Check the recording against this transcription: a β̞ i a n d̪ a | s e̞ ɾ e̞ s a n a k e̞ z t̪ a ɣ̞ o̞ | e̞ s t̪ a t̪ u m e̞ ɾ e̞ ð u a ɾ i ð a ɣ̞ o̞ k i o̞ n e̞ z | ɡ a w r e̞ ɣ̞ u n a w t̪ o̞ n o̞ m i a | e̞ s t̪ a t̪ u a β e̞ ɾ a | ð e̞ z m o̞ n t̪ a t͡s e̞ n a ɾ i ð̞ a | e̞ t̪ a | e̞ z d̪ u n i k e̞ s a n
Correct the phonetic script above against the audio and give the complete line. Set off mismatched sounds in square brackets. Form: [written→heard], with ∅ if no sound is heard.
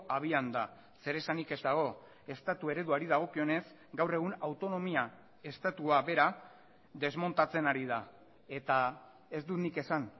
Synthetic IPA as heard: a β̞ i a n d̪ a | s e̞ ɾ e̞ s a n [a→i] k e̞ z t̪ a ɣ̞ o̞ | e̞ s t̪ a t̪ u [m→∅] e̞ ɾ e̞ ð u a ɾ i ð a ɣ̞ o̞ k i o̞ n e̞ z | ɡ a w r e̞ ɣ̞ u n a w t̪ o̞ n o̞ m i a | e̞ s t̪ a t̪ u a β e̞ ɾ a | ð e̞ z m o̞ n t̪ a t͡s e̞ n a ɾ i ð̞ a | e̞ t̪ a | e̞ z d̪ u n i k e̞ s a n